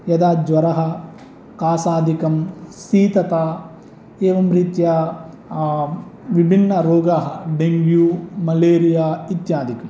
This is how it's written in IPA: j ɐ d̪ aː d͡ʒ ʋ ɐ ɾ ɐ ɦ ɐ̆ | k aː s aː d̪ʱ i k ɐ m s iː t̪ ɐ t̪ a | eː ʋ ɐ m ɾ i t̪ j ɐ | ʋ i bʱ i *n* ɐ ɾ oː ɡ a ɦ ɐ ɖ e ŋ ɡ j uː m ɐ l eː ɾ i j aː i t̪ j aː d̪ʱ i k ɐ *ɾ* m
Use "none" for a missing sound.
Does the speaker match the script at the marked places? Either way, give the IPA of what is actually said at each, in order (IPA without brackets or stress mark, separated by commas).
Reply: nː, none